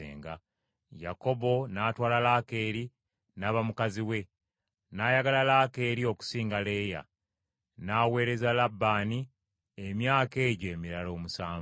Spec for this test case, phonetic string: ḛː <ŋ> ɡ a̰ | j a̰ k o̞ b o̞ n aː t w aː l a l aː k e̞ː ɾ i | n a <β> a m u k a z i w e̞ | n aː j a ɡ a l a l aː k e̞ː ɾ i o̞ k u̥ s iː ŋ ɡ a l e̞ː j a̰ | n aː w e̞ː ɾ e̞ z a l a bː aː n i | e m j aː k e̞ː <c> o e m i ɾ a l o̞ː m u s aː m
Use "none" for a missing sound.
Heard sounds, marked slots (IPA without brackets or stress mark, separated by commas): ŋ, β, ɟ